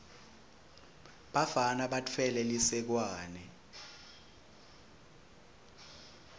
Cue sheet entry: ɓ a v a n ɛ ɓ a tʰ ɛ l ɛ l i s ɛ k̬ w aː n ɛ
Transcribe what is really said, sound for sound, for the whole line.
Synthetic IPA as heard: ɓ a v a n a ɓ a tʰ ɛ l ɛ l i s ɛ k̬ w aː n ɛ